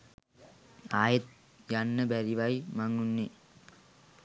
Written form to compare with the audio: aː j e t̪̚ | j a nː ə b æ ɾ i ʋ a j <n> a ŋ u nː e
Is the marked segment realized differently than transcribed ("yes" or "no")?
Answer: yes